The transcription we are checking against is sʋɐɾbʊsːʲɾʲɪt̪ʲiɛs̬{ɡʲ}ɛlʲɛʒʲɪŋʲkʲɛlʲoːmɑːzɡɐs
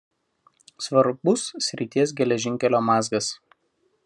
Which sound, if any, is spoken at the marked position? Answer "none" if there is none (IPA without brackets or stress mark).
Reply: ɡʲ